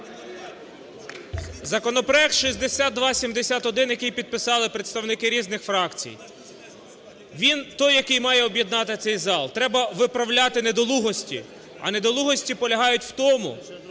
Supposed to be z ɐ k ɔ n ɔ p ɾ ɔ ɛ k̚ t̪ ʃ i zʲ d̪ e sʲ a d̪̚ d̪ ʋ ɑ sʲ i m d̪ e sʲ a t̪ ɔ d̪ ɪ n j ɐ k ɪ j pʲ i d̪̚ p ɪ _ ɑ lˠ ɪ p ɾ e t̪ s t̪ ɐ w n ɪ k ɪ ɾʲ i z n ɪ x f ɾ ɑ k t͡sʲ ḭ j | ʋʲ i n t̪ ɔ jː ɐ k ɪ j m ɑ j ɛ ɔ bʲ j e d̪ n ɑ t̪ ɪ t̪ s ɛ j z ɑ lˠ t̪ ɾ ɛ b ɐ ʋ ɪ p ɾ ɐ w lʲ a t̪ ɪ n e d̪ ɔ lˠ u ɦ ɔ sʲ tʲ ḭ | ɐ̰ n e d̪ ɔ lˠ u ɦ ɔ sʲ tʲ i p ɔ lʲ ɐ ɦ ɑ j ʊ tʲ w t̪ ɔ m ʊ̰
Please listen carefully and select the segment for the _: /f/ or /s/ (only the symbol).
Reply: s